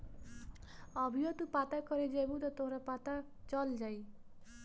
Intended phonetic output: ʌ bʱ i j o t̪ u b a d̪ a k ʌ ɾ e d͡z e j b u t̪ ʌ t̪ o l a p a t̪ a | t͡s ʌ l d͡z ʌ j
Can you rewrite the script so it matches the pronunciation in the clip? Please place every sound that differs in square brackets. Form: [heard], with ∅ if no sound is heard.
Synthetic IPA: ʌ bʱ i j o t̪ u [p] a [t̪] a k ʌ ɾ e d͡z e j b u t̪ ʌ t̪ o [ɾ] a p a t̪ a | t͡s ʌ l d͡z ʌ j